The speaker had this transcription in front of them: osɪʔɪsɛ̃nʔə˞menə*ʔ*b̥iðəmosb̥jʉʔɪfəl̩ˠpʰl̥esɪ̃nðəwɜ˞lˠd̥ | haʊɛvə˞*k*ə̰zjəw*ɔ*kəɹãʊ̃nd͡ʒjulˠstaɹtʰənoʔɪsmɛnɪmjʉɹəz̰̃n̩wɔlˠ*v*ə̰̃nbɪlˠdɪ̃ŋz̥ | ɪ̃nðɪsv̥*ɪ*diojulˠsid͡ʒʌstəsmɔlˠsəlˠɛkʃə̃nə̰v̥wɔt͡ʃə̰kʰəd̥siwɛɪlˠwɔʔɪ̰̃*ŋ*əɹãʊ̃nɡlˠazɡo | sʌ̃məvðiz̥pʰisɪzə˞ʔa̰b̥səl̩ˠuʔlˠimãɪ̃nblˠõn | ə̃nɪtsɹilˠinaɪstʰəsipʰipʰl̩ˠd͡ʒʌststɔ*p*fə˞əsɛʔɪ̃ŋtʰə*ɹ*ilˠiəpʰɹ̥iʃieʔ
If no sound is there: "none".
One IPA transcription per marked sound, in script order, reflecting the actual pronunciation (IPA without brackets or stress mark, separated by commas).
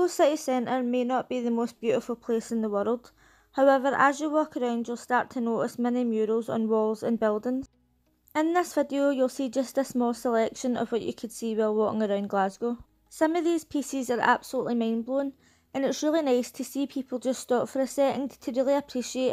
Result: ʔ, ʔ, ɔ, z, ɪ, ŋ, p, ɹ